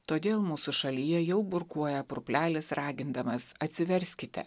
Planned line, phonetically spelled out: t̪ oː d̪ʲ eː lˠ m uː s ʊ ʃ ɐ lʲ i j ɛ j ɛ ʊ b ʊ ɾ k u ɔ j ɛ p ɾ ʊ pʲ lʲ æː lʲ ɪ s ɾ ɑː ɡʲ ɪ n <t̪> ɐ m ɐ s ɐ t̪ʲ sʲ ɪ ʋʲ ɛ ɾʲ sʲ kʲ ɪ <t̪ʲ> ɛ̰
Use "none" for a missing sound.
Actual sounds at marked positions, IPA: d̪, t̪ʲ

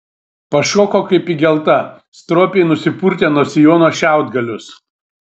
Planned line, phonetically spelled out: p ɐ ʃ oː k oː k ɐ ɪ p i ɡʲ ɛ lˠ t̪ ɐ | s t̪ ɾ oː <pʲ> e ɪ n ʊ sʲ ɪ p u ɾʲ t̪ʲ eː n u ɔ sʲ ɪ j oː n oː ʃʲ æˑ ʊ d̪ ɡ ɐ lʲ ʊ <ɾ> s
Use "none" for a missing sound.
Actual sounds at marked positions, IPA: pʲ, none

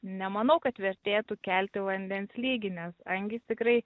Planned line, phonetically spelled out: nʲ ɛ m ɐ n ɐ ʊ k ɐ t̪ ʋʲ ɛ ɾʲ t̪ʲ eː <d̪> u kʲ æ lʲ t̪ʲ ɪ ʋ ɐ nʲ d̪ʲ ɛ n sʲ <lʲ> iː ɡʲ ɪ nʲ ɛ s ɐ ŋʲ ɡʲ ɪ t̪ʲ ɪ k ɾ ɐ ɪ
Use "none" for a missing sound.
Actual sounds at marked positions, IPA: t̪, lʲ

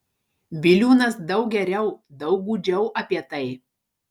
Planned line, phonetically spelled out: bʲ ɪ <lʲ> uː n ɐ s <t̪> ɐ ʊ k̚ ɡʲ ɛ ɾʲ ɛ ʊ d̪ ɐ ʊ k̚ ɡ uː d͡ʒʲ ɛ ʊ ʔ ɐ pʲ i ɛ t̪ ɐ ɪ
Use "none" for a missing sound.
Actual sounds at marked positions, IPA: lʲ, d̪

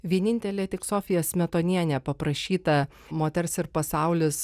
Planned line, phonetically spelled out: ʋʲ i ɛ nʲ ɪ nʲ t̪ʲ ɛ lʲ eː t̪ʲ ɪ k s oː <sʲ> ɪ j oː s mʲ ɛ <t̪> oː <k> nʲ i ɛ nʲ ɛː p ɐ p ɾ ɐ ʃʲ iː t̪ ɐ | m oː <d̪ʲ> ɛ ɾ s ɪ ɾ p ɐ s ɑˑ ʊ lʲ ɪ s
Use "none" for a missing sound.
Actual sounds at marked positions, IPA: fʲ, t̪, none, t̪ʲ

